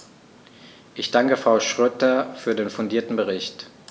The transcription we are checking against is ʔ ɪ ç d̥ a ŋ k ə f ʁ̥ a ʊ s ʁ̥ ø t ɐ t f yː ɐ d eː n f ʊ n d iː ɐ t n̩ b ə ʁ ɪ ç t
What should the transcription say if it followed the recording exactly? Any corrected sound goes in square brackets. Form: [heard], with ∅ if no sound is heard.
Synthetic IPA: ʔ ɪ ç d̥ a ŋ k ə f ʁ̥ a ʊ [ʃ] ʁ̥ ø t ɐ [∅] f yː ɐ d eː n f ʊ n d iː ɐ t n̩ b ə ʁ ɪ ç t